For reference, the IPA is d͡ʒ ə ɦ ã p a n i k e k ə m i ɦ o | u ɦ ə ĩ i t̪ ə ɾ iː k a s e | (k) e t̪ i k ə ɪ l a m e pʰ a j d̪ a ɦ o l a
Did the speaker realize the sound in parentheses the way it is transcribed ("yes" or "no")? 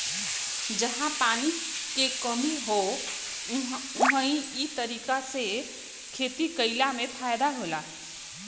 no